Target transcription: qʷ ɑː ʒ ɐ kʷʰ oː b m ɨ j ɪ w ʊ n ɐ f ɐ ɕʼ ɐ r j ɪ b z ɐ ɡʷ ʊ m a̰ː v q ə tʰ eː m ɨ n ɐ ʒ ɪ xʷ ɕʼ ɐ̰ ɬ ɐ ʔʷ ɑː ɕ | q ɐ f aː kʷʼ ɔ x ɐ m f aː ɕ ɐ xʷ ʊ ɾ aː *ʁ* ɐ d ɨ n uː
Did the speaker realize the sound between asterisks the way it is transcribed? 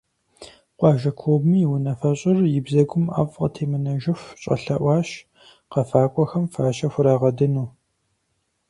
yes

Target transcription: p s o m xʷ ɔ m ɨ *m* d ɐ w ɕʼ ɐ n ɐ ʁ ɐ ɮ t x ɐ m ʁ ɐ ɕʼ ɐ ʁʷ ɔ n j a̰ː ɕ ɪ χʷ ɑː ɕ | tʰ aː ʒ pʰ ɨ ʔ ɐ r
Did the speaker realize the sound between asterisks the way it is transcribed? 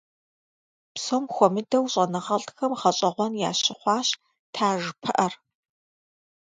no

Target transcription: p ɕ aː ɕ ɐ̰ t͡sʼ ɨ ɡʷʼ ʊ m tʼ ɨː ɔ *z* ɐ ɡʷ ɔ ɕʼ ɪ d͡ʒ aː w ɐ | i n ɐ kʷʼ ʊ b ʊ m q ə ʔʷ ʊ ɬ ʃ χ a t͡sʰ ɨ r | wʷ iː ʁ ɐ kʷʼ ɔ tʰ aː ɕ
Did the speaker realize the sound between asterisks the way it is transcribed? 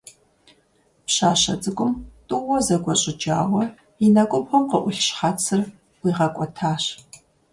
yes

